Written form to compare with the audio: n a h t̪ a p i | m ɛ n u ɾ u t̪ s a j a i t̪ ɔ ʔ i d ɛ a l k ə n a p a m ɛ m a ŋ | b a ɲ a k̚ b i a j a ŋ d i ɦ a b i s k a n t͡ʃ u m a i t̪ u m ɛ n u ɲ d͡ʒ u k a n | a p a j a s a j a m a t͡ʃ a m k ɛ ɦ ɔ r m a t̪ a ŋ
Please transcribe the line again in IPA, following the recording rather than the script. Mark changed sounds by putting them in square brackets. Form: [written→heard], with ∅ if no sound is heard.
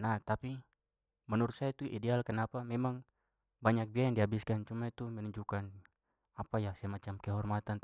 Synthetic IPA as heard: n a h t̪ a p i | m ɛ n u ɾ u t̪ s a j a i t̪ [ɔ→u] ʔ i d ɛ a l k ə n a p a m ɛ m a ŋ | b a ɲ a k̚ b i a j a ŋ d i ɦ a b i s k a n t͡ʃ u m a i t̪ u m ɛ n u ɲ d͡ʒ u k a n | a p a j a s a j a m a t͡ʃ a m k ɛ ɦ ɔ r m a t̪ a [ŋ→n]